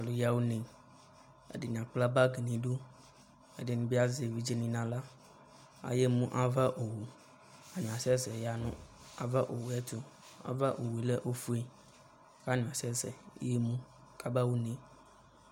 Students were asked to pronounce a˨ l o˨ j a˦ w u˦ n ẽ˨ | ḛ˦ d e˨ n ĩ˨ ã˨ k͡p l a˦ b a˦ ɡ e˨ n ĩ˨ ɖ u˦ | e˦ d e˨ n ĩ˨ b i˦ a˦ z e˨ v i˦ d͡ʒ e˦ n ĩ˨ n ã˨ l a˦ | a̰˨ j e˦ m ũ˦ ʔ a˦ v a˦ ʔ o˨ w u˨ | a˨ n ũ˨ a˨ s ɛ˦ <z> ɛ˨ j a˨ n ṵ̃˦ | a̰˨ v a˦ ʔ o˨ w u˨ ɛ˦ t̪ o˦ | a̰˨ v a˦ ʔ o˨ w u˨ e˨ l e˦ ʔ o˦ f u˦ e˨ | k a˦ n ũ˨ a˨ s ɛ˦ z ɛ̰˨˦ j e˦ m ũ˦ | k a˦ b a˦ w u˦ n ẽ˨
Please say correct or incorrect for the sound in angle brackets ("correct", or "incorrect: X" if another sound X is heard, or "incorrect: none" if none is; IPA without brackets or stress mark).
correct